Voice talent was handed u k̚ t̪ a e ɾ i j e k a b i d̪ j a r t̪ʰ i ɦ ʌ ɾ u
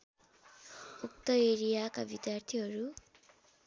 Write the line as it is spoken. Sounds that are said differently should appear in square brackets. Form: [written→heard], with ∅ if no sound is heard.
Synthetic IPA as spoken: u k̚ t̪ [a→ʌ] e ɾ i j [e→a] k a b i d̪ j a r t̪ʰ i ɦ ʌ ɾ u